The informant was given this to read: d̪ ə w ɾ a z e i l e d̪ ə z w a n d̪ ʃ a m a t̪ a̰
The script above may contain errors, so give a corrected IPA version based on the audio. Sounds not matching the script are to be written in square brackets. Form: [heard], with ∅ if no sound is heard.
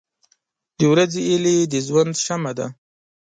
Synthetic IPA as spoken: d̪ ə w ɾ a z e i l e d̪ ə z w a n d̪ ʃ a m a [d̪] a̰